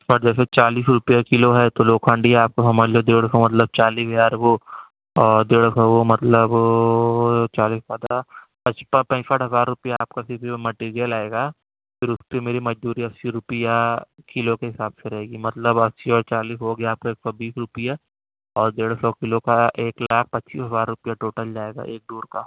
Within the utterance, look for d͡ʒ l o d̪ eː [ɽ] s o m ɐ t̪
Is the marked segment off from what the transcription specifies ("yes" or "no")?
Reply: no